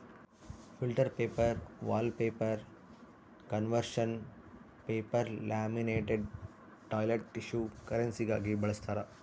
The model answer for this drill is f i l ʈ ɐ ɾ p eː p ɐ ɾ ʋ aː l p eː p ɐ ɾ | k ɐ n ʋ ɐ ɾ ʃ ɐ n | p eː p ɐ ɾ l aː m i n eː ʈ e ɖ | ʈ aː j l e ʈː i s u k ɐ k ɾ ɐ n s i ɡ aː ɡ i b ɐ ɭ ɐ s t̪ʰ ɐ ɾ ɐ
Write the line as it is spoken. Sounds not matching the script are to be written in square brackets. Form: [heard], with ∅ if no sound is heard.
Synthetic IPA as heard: f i l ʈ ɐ ɾ p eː p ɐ ɾ ʋ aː l p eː p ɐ ɾ | k ɐ n ʋ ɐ ɾ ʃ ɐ n | p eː p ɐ ɾ l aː m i n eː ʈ e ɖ | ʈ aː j l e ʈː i [ʃ] u k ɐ [∅] ɾ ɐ n s i ɡ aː ɡ i b ɐ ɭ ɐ s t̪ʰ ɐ ɾ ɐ

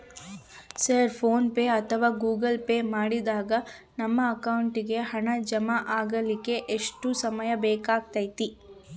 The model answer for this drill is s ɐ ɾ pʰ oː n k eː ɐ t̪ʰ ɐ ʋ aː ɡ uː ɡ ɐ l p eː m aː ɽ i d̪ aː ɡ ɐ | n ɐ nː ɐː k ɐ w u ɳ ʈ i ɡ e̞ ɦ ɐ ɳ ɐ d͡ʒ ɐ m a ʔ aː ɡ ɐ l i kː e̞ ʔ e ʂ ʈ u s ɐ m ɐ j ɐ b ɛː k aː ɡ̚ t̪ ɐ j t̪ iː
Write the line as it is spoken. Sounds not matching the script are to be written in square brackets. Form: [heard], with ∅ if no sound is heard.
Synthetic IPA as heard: s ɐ ɾ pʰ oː n [p] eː ɐ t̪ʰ ɐ ʋ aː ɡ uː ɡ ɐ l p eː m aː ɽ i d̪ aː ɡ ɐ | n ɐ [mː] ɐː k ɐ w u ɳ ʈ i ɡ e̞ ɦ ɐ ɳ ɐ d͡ʒ ɐ m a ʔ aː ɡ ɐ l i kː e̞ ʔ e ʂ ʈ u s ɐ m ɐ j ɐ b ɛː k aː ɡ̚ t̪ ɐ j t̪ [i]

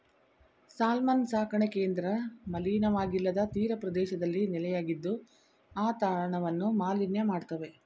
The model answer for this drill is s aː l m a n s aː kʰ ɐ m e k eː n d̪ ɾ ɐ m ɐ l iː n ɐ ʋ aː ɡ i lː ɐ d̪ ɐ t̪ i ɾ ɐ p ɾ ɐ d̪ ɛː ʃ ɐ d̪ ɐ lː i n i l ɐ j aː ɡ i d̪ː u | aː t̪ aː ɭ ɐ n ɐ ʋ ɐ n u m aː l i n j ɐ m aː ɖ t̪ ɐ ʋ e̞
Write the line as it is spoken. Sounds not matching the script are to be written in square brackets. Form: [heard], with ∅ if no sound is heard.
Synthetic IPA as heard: s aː l m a n s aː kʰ ɐ [ɳ] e k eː n d̪ ɾ ɐ m ɐ l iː n ɐ ʋ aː ɡ i lː ɐ d̪ ɐ t̪ [iː] ɾ ɐ p ɾ ɐ d̪ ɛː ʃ ɐ d̪ ɐ lː i n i l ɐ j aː ɡ i d̪ː u | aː t̪ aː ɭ ɐ [ɳ] ɐ ʋ ɐ [nː] u m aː l i n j ɐ m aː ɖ t̪ ɐ ʋ e̞

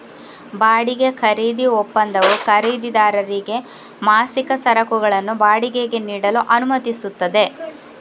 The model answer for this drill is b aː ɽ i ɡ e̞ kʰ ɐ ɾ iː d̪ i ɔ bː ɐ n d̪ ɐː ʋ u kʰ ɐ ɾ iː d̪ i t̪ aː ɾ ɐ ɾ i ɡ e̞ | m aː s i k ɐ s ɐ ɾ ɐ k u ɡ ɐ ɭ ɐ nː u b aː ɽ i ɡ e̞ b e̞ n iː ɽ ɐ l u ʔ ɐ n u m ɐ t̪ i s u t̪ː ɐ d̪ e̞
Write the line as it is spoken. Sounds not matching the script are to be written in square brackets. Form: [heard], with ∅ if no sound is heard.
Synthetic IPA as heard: b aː ɽ i ɡ e̞ kʰ ɐ ɾ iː d̪ i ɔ [pː] ɐ n d̪ [ɐ] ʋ u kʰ ɐ ɾ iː d̪ i [d̪] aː ɾ ɐ ɾ i ɡ e̞ | m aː s i k ɐ s ɐ ɾ ɐ k u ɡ ɐ ɭ ɐ nː u b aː ɽ i ɡ e̞ [ɡ] e̞ n iː ɽ ɐ l u ʔ ɐ n u m ɐ t̪ i s u t̪ː ɐ d̪ e̞

